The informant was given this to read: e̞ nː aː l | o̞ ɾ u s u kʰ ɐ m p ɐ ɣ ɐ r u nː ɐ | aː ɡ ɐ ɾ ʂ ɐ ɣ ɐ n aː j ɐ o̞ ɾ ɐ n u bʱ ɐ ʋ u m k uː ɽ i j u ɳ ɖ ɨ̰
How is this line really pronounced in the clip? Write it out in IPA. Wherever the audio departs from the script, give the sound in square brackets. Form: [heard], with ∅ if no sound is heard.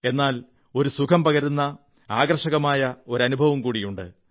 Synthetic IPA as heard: e̞ nː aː l | o̞ ɾ u s u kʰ ɐ m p ɐ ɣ ɐ [ɾ] u nː ɐ | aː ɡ ɐ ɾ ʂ ɐ ɣ ɐ [m] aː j ɐ o̞ ɾ ɐ n u bʱ ɐ ʋ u m k uː ɽ i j u ɳ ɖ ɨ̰